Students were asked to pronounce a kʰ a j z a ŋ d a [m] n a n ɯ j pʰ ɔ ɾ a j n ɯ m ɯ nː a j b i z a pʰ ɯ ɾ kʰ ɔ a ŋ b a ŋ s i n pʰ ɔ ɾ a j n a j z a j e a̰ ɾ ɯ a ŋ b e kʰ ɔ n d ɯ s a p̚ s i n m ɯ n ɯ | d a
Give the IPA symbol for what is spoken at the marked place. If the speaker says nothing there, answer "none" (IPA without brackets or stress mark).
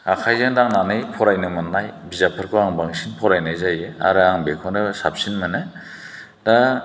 ŋ